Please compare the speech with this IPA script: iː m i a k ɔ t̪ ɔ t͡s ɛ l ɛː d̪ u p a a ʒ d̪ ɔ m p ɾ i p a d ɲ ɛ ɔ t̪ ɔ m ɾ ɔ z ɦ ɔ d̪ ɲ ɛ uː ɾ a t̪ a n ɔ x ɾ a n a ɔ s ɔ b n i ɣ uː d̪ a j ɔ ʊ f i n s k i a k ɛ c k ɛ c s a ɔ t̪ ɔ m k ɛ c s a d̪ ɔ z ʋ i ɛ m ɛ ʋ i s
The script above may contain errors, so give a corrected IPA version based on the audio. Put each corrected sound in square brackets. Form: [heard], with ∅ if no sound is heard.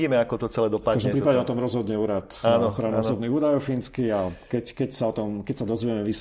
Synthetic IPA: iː m [ɛ] a k ɔ t̪ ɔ t͡s ɛ l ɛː d̪ [ɔ] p a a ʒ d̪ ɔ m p ɾ i p a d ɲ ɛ ɔ t̪ ɔ m ɾ ɔ z ɦ ɔ d̪ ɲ ɛ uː ɾ a t̪ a n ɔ x ɾ a n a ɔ s ɔ b n i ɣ uː d̪ a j ɔ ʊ f i n s k i a k ɛ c k ɛ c s a ɔ t̪ ɔ m k ɛ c s a d̪ ɔ z ʋ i ɛ m ɛ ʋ i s